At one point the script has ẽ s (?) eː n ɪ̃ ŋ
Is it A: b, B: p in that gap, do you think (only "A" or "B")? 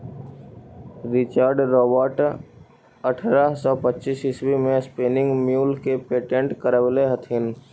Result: B